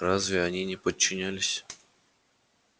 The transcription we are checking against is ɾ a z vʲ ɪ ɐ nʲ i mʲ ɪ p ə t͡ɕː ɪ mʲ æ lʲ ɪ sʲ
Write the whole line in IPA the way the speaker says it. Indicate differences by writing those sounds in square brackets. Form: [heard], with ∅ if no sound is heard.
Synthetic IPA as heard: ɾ a z vʲ ɪ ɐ nʲ i [nʲ] ɪ p ə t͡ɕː ɪ [nʲ] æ lʲ ɪ sʲ